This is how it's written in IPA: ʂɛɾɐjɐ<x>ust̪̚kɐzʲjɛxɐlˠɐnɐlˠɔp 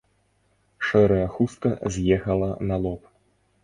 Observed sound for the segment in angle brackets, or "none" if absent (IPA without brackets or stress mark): x